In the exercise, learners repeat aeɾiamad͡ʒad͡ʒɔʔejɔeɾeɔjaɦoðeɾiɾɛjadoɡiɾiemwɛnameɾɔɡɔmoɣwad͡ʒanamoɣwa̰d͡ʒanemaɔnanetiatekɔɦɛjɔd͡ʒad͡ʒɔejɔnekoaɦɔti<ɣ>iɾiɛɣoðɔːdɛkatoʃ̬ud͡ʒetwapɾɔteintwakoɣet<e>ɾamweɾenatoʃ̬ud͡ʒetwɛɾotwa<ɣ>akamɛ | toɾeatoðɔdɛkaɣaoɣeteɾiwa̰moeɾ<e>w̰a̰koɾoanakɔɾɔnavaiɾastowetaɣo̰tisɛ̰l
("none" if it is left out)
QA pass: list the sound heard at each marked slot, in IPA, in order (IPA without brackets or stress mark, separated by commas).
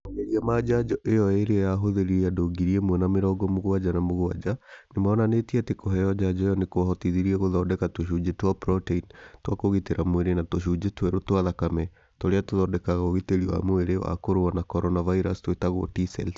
ð, e, ð, e